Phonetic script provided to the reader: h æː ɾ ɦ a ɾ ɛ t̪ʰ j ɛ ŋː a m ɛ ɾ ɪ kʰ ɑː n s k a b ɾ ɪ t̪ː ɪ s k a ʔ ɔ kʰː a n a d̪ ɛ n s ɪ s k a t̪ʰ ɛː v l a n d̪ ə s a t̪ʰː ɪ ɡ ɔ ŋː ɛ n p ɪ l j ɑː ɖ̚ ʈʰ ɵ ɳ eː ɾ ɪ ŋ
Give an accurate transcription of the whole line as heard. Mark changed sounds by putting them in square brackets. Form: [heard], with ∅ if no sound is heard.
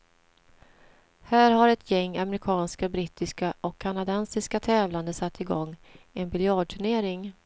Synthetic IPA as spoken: h æː ɾ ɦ a ɾ ɛ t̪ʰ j ɛ ŋː a m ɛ ɾ ɪ kʰ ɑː n s k a b ɾ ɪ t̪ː ɪ s k a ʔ ɔ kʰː a n a d̪ ɛ n s ɪ s k a t̪ʰ ɛː v l a n d̪ ə s a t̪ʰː ɪ ɡ ɔ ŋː ɛ n [b] ɪ l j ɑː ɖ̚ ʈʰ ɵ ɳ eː ɾ ɪ ŋ